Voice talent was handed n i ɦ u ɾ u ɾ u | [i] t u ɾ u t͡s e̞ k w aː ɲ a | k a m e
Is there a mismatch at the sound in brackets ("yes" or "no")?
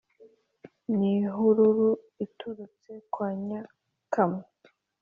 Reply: no